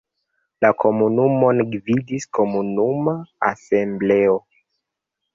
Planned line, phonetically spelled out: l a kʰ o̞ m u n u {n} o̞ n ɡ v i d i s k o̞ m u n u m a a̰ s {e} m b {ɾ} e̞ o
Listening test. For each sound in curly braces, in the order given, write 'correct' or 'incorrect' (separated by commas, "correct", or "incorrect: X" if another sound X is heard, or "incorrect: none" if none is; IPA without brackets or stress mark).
incorrect: m, correct, incorrect: l